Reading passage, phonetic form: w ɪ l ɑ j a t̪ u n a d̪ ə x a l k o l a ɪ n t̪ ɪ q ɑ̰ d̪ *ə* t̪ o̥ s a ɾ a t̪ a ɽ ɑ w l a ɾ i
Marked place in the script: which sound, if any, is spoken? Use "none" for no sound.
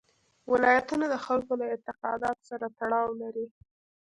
ɑ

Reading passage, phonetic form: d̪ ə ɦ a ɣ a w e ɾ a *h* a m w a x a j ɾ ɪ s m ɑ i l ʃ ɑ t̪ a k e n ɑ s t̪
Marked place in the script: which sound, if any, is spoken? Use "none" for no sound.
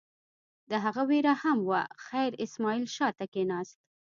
h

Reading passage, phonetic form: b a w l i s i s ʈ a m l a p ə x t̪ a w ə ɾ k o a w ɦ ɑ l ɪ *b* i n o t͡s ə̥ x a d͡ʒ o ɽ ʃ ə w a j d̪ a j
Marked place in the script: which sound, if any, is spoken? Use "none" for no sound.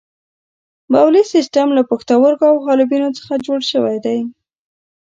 b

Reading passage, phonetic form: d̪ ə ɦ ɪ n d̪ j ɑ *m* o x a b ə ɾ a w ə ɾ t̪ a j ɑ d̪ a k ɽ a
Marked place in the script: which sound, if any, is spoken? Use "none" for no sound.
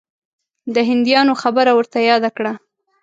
n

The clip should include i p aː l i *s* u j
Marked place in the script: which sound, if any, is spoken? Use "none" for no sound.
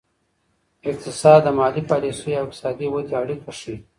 s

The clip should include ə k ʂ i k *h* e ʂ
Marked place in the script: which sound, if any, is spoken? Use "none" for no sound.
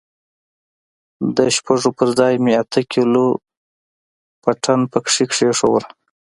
ʂ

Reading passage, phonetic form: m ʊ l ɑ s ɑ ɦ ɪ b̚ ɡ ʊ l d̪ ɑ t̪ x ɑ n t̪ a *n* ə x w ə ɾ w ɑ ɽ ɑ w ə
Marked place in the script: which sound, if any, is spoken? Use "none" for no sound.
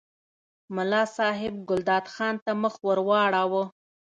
m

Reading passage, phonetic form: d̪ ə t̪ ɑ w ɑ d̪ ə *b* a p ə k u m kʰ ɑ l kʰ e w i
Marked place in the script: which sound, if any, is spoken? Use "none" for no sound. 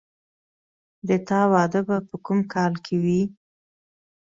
b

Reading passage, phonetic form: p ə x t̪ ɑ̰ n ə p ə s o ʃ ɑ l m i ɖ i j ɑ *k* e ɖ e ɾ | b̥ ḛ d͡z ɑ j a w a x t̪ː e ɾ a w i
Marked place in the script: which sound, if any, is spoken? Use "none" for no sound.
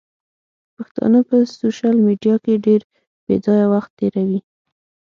k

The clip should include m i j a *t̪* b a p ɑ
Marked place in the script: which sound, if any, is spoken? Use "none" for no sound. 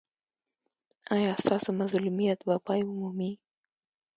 t̪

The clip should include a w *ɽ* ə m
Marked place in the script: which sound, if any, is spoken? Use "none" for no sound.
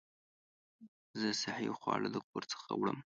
ɽ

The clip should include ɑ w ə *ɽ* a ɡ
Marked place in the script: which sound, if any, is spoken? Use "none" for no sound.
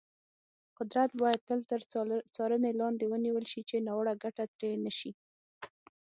ɽ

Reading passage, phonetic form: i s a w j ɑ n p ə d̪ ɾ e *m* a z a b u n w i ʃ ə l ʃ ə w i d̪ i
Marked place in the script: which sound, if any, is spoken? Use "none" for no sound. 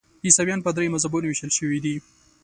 m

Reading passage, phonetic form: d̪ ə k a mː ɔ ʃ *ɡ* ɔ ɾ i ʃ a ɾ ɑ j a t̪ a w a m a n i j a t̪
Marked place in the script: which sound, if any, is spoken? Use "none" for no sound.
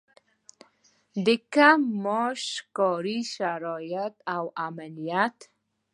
k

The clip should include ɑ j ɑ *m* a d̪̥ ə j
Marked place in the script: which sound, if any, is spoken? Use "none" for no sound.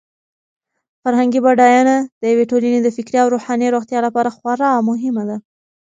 n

